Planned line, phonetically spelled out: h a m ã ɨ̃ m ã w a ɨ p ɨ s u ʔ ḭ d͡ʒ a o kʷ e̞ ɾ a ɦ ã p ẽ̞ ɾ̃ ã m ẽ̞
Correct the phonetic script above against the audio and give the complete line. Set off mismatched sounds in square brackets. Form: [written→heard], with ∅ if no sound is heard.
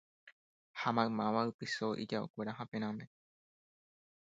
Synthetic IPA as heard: h a m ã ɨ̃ m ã [w→ʋ] a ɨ p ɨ s [u→o] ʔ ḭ d͡ʒ a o kʷ e̞ ɾ a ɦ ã p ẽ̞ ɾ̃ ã m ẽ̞